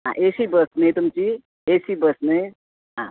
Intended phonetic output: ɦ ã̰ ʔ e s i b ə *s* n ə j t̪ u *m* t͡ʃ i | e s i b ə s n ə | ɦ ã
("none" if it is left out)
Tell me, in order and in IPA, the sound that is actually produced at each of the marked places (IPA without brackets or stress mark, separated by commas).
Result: s, m